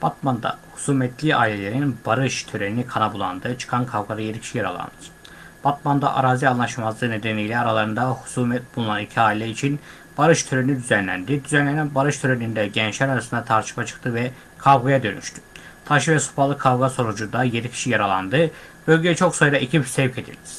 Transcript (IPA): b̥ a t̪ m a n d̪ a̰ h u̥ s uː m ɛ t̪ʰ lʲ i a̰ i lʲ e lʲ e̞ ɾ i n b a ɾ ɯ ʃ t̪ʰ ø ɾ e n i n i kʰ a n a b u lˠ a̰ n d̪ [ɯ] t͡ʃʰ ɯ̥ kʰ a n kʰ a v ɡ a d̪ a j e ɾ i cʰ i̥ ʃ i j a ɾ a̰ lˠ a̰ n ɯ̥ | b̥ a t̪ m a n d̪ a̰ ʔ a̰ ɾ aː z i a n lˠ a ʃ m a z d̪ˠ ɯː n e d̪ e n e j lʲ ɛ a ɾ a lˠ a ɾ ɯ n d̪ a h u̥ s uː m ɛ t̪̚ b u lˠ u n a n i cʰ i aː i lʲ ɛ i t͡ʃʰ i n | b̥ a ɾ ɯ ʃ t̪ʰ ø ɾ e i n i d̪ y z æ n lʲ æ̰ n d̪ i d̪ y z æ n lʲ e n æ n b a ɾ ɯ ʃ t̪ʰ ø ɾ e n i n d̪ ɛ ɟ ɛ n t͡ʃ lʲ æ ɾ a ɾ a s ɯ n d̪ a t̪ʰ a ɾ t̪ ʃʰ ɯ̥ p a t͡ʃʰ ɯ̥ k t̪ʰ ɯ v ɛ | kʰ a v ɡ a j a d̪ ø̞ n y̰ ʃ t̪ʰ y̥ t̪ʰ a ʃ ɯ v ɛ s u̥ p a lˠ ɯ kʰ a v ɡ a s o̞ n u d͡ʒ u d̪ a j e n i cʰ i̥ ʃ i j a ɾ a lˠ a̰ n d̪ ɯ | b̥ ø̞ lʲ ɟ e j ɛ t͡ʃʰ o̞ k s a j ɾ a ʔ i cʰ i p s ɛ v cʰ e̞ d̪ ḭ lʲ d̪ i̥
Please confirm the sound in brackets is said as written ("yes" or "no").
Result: yes